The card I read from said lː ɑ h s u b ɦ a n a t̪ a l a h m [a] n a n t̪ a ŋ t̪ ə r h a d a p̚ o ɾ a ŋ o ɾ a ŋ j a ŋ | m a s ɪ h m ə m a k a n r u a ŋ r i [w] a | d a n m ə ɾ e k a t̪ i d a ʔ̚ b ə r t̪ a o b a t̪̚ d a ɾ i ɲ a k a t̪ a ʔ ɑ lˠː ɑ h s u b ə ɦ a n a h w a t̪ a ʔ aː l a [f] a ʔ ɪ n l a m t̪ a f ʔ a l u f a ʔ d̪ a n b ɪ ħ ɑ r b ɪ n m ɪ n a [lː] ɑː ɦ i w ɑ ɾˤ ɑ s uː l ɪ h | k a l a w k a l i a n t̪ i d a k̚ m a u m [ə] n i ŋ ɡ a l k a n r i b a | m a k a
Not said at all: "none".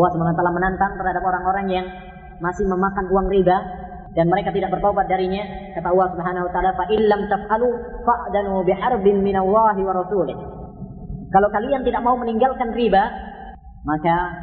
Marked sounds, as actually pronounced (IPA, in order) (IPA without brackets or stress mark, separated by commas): ə, b, f, lː, ə